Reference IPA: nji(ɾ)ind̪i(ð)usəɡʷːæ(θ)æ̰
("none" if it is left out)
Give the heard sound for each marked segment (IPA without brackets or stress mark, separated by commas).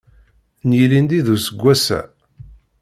l, ð, s